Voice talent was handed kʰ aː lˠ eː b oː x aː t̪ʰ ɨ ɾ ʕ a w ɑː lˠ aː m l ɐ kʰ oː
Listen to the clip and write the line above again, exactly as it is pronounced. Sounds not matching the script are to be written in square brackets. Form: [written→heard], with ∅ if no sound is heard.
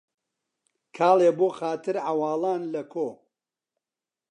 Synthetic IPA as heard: kʰ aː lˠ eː b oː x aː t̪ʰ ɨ ɾ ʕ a w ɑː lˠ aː [m→n] l ɐ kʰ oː